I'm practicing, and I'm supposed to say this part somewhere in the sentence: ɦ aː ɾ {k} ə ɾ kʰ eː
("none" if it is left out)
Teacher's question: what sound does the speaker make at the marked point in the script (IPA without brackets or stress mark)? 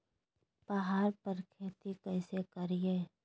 p